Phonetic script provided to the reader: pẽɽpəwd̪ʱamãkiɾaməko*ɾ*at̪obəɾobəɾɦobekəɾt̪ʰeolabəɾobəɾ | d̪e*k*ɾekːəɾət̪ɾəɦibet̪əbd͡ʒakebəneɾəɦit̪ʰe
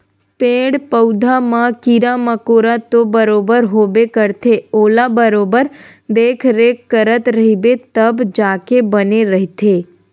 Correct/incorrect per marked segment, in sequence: correct, incorrect

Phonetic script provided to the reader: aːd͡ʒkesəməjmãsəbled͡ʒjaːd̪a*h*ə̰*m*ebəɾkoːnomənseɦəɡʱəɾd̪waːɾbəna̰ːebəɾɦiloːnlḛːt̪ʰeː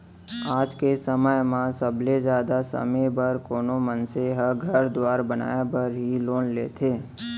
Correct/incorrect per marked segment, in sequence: incorrect, correct

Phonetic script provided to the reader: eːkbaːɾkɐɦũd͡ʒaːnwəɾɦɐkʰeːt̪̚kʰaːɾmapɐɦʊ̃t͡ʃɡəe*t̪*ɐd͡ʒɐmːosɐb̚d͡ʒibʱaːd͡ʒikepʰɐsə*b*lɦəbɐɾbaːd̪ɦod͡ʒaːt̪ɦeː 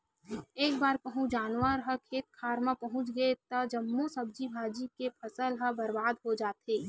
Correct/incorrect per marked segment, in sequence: correct, incorrect

